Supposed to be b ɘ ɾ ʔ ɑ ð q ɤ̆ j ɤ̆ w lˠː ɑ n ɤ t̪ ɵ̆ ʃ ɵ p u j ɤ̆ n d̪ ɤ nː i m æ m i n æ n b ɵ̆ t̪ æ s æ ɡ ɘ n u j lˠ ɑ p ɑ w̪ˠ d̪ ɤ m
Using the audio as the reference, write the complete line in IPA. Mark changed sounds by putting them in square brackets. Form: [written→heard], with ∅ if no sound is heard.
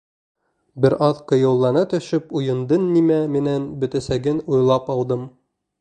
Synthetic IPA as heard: b ɘ ɾ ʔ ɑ ð q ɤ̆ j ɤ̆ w lˠː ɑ n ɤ t̪ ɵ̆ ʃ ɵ p u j ɤ̆ n d̪ ɤ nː i m æ m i n æ n b ɵ̆ t̪ æ s æ ɡ ɘ n u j lˠ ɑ p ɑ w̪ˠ d̪ ɤ m